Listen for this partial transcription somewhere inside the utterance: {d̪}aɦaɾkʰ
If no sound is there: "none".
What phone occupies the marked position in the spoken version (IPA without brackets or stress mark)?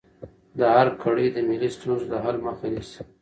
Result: d̪